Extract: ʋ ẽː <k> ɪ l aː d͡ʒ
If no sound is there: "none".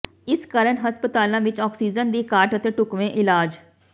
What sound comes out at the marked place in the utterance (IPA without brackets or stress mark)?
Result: ʔ